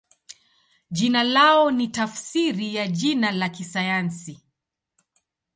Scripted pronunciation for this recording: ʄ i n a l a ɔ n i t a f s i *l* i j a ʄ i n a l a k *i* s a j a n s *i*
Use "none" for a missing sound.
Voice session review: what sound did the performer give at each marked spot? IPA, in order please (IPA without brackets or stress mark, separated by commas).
ɾ, i, i